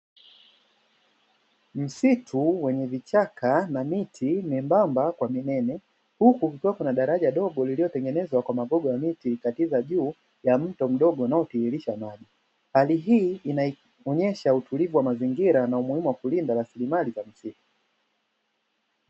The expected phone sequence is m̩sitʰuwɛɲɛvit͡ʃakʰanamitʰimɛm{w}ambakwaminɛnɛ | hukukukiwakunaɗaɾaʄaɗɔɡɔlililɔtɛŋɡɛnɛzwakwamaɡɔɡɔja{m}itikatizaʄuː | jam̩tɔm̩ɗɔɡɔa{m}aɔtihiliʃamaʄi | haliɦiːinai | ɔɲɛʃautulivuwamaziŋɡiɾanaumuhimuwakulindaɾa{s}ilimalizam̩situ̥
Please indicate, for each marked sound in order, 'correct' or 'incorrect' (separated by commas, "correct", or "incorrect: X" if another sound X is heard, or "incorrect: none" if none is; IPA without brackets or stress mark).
incorrect: b, correct, incorrect: n, correct